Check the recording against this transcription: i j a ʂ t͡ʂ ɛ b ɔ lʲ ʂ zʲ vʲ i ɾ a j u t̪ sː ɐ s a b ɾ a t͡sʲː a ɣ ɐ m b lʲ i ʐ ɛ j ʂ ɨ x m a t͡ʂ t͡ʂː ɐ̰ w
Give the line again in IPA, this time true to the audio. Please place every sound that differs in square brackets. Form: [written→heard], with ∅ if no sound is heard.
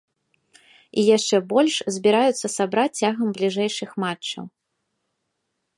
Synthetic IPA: i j a ʂ t͡ʂ ɛ b ɔ lʲ ʂ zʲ [vʲ→bʲ] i ɾ a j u t̪ sː ɐ s a b ɾ a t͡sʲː a ɣ ɐ m b lʲ i ʐ ɛ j ʂ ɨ x m a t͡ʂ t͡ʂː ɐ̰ w